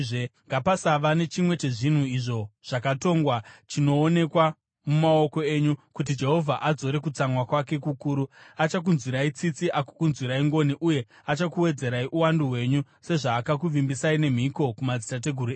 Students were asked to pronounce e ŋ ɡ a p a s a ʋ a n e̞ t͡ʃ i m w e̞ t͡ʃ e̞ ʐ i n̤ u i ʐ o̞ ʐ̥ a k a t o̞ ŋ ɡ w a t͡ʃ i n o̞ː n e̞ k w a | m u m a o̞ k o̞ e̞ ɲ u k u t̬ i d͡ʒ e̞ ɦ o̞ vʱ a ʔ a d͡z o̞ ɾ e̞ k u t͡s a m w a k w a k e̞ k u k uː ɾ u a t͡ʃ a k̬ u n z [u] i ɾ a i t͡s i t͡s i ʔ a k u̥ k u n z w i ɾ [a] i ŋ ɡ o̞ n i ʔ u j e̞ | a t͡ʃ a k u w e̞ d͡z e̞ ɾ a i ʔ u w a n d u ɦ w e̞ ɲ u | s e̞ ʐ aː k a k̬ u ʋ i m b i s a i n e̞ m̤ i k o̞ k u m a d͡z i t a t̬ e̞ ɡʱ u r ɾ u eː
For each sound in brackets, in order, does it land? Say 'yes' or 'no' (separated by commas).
no, yes